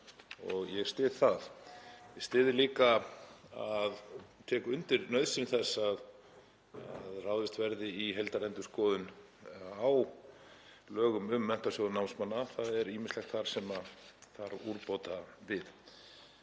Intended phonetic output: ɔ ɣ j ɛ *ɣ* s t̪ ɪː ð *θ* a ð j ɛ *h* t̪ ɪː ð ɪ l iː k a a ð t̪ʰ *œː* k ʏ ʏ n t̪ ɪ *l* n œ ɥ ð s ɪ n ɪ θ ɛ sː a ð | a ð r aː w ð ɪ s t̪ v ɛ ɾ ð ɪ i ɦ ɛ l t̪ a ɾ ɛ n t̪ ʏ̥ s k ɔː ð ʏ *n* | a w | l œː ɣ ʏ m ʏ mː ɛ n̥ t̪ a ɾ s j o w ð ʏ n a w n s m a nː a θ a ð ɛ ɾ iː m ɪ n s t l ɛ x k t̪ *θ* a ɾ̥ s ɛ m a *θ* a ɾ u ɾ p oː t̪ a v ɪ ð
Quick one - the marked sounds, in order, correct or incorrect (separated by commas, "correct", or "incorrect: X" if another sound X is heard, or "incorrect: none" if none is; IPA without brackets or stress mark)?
correct, correct, incorrect: s, incorrect: ɛː, incorrect: ɾ, correct, correct, correct